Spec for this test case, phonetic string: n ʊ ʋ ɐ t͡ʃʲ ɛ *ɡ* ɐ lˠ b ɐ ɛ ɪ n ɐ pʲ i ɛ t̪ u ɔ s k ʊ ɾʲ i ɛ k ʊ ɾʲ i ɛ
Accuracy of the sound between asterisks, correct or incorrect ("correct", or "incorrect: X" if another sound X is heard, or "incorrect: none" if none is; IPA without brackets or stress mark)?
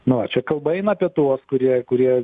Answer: incorrect: k